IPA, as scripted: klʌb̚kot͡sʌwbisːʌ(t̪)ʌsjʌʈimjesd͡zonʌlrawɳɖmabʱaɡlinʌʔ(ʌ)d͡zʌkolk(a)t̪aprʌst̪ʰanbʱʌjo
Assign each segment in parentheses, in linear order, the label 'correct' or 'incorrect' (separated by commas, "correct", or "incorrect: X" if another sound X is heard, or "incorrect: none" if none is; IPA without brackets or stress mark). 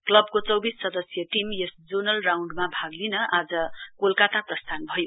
incorrect: d̪, incorrect: a, correct